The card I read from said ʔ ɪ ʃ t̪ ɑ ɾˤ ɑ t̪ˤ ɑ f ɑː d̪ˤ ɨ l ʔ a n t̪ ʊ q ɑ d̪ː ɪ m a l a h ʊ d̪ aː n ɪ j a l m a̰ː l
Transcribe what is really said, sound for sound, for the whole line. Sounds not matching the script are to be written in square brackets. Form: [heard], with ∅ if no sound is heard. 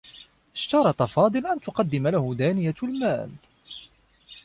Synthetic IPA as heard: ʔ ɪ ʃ t̪ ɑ ɾˤ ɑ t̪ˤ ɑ f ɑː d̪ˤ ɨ l ʔ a n t̪ ʊ q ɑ d̪ː ɪ m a l a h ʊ d̪ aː n ɪ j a l m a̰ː l